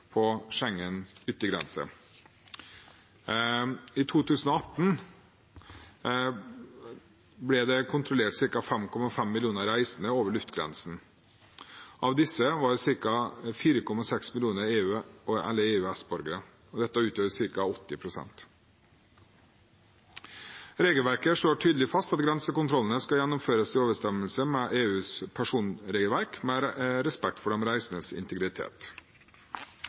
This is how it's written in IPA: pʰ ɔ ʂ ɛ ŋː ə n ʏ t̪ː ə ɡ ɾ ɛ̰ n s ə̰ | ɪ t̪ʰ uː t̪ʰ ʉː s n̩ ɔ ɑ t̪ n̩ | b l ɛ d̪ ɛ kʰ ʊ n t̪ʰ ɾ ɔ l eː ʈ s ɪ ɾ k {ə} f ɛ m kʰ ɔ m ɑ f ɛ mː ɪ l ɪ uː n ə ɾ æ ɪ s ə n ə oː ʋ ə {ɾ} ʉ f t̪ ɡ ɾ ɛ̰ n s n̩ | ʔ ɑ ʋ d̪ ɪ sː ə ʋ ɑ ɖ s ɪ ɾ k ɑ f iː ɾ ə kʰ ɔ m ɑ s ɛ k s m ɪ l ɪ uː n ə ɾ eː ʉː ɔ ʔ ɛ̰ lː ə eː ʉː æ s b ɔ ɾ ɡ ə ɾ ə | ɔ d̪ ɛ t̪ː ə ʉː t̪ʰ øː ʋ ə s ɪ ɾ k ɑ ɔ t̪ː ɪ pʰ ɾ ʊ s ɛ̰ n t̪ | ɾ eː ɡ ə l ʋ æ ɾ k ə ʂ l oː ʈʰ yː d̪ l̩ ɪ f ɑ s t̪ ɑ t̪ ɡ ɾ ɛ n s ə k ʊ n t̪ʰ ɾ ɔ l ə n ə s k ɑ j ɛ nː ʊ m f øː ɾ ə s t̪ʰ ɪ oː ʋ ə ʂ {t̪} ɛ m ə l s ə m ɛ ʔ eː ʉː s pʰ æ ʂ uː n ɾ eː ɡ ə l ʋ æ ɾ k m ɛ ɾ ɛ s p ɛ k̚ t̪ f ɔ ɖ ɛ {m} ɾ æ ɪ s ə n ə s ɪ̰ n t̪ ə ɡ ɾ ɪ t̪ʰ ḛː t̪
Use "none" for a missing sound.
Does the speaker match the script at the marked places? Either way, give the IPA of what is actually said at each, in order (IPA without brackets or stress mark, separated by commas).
ɑ, ɭ, t̪, m